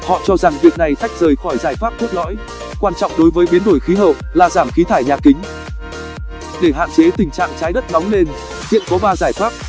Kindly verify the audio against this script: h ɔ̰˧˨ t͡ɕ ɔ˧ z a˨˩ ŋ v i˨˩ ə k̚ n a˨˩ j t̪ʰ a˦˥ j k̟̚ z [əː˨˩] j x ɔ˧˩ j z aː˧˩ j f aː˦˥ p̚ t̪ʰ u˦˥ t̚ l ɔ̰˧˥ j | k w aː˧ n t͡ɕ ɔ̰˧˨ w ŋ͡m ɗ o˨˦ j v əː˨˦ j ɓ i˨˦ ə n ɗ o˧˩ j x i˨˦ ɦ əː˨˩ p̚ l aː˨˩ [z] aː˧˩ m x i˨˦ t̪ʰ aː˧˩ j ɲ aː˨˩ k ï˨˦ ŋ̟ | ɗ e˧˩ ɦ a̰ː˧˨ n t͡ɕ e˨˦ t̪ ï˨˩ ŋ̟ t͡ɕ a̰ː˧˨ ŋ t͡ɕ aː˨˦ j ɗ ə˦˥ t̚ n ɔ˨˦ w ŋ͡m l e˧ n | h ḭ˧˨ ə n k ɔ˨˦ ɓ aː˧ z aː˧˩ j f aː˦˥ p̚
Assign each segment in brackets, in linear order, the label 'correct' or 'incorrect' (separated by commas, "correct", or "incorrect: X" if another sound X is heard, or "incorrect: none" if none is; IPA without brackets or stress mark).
correct, correct